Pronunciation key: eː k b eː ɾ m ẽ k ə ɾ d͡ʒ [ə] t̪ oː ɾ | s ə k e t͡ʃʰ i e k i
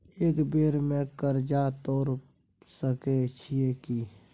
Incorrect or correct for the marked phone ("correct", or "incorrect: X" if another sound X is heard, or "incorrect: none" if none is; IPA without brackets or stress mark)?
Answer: incorrect: a